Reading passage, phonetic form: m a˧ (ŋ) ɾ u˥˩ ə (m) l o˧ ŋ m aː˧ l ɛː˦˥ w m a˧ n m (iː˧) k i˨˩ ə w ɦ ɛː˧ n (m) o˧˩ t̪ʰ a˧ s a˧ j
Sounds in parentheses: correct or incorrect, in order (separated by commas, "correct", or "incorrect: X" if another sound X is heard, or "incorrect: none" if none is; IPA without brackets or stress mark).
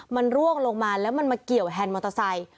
incorrect: n, incorrect: ŋ, incorrect: aː˧, correct